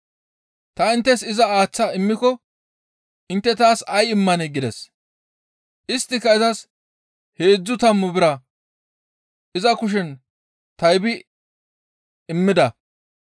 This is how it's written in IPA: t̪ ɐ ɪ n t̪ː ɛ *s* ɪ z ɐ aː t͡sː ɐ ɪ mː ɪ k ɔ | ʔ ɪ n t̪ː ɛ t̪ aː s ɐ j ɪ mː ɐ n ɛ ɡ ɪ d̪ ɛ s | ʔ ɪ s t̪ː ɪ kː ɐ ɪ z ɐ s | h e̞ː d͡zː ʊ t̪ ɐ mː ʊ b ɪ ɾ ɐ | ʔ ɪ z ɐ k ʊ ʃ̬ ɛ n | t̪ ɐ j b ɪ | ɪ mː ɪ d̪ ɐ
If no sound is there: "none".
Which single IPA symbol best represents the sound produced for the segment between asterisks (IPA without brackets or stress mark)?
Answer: s